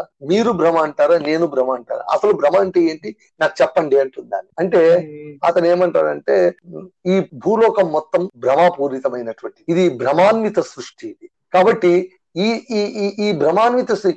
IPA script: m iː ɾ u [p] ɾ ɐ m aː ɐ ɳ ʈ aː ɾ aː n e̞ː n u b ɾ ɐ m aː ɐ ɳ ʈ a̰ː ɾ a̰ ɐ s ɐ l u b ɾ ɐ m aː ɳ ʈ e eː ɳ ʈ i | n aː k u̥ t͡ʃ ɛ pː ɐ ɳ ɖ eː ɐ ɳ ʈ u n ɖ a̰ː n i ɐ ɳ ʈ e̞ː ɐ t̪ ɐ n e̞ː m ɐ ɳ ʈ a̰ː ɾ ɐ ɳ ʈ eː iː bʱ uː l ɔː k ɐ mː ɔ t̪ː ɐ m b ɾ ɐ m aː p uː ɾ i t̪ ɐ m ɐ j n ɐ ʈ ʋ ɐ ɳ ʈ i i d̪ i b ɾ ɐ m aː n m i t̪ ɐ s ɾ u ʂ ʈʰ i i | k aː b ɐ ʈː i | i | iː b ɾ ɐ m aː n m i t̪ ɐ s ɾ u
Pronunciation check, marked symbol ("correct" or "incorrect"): incorrect